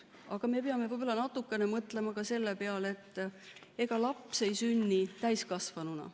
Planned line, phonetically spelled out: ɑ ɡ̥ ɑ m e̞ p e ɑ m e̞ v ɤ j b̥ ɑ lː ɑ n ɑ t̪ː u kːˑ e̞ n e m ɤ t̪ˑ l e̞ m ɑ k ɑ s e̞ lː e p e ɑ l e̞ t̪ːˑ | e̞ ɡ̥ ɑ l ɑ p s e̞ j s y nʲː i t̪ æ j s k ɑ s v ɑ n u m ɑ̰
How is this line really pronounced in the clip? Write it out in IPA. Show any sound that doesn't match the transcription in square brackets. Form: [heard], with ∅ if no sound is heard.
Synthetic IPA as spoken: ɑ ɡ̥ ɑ m e̞ p e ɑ m e̞ v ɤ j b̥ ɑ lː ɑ n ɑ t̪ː u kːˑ e̞ n e m ɤ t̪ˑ l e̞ m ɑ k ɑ s e̞ lː e p e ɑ l e̞ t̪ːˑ | e̞ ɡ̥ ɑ l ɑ p s e̞ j s y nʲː i t̪ æ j s k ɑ s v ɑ n u [n] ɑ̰